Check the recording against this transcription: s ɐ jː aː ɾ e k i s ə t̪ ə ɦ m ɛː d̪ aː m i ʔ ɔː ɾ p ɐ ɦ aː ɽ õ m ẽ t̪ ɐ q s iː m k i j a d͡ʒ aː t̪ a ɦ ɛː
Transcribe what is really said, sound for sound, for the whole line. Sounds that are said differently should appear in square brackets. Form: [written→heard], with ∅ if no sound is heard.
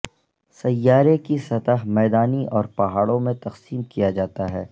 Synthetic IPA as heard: s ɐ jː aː ɾ e k i s [ə→ɐ] t̪ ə ɦ m ɛː d̪ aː [m→n] i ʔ ɔː ɾ p ɐ ɦ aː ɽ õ m ẽ t̪ ɐ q s iː m k i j a d͡ʒ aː t̪ a ɦ ɛː